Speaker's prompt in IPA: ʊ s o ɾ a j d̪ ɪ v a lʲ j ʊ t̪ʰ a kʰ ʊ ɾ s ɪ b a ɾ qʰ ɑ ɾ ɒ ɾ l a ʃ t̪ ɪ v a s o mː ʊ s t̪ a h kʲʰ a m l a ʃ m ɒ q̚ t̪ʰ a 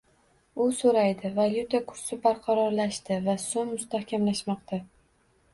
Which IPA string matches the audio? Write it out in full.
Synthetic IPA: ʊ s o ɾ a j d̪ ɪ v a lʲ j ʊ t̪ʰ a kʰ ʊ ɾ s ɪ b a ɾ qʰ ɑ ɾ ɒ ɾ l a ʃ t̪ ɪ v a s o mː ʊ s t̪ a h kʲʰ a m l a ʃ m ɒ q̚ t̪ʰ a